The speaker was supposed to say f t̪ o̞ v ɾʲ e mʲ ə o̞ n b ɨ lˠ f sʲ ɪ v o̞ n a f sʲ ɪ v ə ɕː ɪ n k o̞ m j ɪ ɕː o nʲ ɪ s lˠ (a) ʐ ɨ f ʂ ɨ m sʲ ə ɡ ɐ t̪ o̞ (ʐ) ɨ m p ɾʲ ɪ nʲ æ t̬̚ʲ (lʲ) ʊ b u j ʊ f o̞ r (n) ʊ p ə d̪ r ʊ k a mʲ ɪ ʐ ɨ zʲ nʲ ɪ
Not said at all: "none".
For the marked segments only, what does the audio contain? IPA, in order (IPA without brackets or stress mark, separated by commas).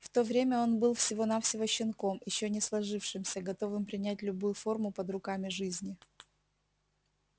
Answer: ɐ, v, lʲ, m